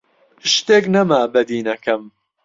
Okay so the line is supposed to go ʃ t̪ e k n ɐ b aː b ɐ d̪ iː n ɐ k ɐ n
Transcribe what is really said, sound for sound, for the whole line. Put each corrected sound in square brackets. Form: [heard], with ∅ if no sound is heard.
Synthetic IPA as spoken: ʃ t̪ e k n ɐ [m] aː b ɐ d̪ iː n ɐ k ɐ [m]

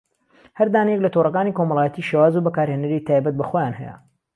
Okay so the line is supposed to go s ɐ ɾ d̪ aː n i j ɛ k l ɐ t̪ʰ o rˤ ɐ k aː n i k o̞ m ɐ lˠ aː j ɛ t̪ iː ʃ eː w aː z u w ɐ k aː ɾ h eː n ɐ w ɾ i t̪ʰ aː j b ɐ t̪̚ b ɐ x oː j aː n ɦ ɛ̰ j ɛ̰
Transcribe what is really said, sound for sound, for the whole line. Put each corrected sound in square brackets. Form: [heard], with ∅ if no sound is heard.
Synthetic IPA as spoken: [h] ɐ ɾ d̪ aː n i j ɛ k l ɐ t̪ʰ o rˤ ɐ k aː n i k o̞ m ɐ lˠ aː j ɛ t̪ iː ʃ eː w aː z u [b] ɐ k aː ɾ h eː n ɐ [∅] ɾ i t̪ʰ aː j b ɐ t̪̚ b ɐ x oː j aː n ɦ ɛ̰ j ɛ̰

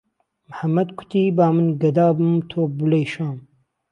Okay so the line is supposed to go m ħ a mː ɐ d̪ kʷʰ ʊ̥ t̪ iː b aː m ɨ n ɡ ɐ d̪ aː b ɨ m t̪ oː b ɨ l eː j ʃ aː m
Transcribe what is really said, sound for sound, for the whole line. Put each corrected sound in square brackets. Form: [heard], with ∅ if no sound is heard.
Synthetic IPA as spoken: m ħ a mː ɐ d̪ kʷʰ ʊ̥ t̪ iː b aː m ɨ n ɡ ɐ d̪ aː b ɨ m [t̪ʰ] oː b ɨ l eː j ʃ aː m

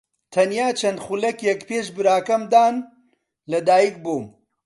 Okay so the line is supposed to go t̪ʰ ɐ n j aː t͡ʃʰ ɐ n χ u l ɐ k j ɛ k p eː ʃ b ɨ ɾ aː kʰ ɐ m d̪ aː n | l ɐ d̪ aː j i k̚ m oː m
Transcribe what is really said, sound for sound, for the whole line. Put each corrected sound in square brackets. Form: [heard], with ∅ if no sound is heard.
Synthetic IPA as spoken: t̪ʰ ɐ n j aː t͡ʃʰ ɐ n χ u l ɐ k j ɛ k p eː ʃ b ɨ ɾ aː [k] ɐ m d̪ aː n | l ɐ d̪ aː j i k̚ [b] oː m

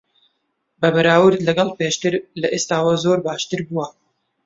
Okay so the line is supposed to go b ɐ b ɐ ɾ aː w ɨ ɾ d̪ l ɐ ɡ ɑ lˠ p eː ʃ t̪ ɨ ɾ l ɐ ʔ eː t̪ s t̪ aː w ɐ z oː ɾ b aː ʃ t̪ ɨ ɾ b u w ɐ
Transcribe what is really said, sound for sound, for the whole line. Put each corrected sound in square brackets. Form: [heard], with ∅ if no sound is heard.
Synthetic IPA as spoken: b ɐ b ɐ ɾ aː w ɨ ɾ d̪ l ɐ ɡ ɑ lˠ p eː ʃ t̪ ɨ ɾ l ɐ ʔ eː [∅] s t̪ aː w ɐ z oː ɾ b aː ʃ t̪ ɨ ɾ b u w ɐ

